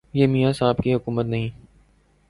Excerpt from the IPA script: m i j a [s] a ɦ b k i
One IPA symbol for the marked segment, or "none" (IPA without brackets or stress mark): s